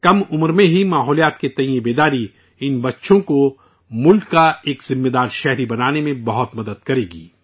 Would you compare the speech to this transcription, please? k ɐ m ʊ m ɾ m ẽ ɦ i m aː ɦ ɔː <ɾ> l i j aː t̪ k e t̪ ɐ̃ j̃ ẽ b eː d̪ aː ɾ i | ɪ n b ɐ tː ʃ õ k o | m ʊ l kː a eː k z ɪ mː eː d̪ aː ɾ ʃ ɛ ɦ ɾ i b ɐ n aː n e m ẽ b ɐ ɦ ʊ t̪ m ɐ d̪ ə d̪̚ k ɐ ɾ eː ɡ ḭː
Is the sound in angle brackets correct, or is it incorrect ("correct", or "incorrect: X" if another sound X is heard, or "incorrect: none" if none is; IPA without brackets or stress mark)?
incorrect: none